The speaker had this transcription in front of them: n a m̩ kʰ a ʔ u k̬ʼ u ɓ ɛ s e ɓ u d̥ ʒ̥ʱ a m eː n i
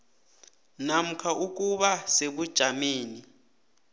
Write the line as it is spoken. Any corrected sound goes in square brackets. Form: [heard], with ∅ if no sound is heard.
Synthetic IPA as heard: n a m̩ kʰ a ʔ u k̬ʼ u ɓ [a] s e ɓ u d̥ ʒ̥ʱ a m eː n i